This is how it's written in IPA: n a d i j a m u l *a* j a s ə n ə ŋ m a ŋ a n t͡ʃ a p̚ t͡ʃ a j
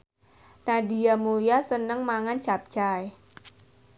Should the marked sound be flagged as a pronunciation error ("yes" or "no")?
yes